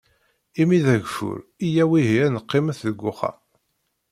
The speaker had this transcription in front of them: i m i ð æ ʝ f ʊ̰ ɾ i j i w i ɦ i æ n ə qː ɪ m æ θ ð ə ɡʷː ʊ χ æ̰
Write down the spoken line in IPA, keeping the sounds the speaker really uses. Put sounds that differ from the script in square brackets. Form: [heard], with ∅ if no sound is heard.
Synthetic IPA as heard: i m i ð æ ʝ f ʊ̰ ɾ i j [æ] w i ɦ i æ n ə qː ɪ m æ θ ð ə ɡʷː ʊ χ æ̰